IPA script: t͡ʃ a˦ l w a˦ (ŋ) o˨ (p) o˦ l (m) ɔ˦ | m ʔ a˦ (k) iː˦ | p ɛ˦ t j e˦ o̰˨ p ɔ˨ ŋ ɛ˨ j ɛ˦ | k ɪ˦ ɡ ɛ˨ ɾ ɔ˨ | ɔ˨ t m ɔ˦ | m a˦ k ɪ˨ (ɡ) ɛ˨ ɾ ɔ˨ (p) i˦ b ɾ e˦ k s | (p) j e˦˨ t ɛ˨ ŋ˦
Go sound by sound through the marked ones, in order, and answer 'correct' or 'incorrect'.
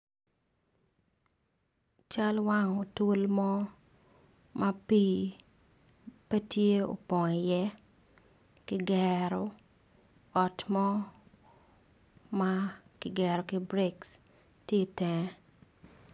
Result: correct, incorrect, correct, incorrect, correct, incorrect, incorrect

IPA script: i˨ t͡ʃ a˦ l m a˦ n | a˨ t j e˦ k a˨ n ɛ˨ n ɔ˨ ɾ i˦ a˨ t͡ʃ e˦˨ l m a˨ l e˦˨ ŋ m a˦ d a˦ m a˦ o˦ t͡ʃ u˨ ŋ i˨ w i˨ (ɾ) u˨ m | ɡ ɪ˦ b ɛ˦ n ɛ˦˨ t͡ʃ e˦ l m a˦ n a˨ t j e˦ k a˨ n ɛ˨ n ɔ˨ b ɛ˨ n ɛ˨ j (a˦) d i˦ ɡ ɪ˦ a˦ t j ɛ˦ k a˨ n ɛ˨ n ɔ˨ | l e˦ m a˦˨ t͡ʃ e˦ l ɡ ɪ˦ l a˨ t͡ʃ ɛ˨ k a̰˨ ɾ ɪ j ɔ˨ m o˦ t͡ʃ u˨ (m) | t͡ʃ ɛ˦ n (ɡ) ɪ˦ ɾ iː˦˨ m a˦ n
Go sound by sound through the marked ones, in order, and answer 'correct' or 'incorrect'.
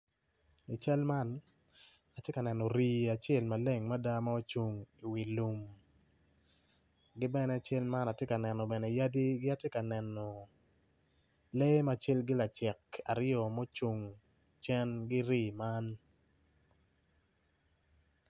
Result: incorrect, correct, incorrect, correct

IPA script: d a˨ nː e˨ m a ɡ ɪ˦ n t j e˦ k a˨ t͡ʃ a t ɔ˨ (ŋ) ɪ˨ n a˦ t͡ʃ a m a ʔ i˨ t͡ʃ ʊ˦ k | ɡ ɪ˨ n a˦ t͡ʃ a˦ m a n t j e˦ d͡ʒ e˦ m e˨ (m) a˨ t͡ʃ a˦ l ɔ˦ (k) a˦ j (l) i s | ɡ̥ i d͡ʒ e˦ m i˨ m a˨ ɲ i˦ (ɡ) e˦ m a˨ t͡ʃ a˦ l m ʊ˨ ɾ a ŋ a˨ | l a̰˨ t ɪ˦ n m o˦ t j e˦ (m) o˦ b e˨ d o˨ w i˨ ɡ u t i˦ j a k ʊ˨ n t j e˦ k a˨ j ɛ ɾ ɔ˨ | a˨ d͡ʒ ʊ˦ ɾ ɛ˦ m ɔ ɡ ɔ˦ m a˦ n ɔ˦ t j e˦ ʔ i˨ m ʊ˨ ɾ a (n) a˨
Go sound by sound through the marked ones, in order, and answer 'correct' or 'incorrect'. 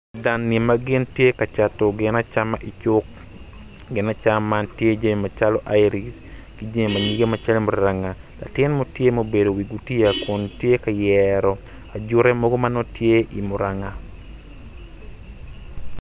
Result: incorrect, correct, incorrect, incorrect, correct, correct, incorrect

